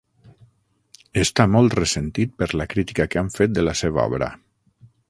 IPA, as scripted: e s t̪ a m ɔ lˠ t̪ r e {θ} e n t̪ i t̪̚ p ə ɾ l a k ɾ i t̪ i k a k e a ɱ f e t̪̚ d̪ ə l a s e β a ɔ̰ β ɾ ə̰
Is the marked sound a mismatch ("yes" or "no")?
yes